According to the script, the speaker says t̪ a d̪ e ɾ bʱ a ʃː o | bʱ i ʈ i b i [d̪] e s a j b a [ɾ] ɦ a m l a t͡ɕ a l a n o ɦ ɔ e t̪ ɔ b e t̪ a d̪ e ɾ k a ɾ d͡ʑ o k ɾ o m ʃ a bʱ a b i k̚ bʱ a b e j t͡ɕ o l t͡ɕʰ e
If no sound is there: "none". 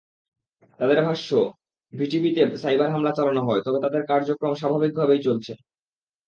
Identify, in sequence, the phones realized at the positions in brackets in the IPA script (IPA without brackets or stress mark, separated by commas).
t̪, ɾ